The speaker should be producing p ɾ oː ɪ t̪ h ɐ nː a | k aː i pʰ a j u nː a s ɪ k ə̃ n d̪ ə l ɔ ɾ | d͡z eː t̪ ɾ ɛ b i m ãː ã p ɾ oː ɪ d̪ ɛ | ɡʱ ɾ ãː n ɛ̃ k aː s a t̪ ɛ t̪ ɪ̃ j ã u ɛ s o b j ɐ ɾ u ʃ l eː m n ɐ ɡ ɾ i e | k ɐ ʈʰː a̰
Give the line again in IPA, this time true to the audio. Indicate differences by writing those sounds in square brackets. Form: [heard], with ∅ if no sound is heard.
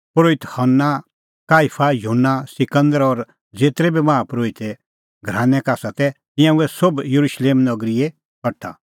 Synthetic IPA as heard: p ɾ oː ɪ t̪ h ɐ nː a | k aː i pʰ a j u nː a s ɪ k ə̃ n d̪ ə [ɾ] ɔ ɾ | d͡z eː t̪ ɾ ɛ b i m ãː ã p ɾ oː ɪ [t̪] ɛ | ɡʱ ɾ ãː n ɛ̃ k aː s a t̪ ɛ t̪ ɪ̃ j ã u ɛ s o b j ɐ ɾ u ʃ l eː m n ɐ ɡ ɾ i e | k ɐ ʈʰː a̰